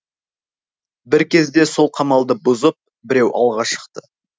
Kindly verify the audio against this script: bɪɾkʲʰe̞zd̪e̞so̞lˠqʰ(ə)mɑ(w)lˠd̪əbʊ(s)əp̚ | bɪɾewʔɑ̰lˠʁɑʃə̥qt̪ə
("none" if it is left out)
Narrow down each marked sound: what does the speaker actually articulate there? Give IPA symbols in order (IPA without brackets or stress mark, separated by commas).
ɑ, none, z